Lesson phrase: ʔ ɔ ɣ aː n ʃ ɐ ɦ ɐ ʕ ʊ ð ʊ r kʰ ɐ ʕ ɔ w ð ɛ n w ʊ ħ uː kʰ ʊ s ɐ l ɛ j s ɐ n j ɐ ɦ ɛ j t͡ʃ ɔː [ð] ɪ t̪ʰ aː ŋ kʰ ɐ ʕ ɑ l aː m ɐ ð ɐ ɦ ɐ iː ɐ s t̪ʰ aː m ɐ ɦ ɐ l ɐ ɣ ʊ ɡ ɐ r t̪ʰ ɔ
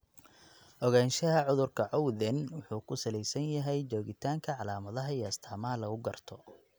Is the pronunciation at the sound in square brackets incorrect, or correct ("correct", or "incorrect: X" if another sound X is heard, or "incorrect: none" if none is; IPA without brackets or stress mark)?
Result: incorrect: ɣ